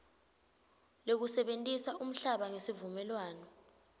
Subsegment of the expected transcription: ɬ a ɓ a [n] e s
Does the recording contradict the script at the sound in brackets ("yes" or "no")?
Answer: yes